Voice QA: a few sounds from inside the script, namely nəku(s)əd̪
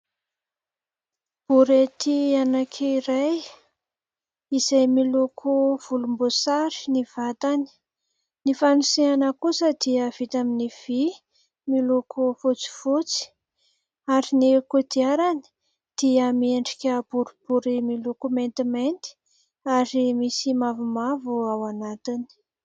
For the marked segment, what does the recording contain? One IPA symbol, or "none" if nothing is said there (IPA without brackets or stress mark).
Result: s